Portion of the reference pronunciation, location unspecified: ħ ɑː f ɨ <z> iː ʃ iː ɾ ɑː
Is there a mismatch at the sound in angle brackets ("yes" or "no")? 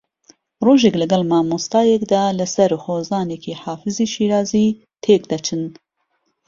no